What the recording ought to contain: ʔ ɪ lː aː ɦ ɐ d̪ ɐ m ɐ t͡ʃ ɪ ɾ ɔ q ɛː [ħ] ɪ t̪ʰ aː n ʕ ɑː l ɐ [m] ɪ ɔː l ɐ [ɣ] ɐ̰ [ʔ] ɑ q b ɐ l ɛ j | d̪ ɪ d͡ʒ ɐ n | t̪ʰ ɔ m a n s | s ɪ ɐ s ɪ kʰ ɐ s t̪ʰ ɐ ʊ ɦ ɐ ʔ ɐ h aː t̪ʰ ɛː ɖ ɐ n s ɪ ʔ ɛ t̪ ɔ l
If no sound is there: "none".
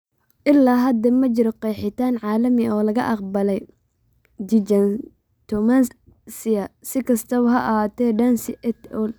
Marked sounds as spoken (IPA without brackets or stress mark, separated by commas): ħ, m, ɣ, ʔ